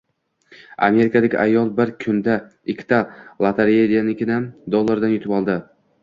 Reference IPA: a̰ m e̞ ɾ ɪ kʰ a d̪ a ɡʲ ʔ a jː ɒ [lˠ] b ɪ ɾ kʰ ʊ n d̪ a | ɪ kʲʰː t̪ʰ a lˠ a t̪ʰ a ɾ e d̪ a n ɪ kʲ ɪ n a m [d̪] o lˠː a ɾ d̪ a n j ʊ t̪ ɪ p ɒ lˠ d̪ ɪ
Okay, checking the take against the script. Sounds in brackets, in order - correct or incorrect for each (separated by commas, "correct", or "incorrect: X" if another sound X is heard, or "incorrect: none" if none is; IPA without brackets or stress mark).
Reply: correct, correct